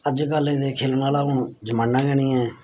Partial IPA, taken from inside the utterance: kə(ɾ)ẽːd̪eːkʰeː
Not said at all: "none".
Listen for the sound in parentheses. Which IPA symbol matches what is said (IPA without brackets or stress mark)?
l